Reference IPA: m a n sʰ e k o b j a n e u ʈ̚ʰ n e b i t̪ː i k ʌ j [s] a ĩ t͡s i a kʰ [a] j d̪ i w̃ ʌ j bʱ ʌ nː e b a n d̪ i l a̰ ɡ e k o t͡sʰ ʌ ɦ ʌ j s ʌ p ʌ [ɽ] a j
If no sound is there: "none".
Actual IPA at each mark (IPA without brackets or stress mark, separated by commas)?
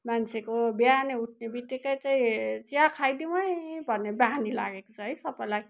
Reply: t͡s, a, l